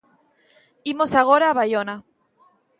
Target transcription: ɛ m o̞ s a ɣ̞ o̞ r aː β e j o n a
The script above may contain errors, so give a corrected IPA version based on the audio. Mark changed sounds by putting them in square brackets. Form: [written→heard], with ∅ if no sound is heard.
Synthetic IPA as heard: [ɛ→i] m o̞ s a ɣ̞ o̞ [r→ɾ] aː β [e→a] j o n a